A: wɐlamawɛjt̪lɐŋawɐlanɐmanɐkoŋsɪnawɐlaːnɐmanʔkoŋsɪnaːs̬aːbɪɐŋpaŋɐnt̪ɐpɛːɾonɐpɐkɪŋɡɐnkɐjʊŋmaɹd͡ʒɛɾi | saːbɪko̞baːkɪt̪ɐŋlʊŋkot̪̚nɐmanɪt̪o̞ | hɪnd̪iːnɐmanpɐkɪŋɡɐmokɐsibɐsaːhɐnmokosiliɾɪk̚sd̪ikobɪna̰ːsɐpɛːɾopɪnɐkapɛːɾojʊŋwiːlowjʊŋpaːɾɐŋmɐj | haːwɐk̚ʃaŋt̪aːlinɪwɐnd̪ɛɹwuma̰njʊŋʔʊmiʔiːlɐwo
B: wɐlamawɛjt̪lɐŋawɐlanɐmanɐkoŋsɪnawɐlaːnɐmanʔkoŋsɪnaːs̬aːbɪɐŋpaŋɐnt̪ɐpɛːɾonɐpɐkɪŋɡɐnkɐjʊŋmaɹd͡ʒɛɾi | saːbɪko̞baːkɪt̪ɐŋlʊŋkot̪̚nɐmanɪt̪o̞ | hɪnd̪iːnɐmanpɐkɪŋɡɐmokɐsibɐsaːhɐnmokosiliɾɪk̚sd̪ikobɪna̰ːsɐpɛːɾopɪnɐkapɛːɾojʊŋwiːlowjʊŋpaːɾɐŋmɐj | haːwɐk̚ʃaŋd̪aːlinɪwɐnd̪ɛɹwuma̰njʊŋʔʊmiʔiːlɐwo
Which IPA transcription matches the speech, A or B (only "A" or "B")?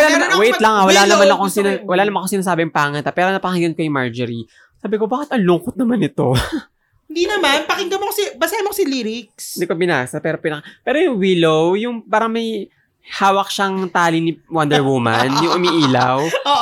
A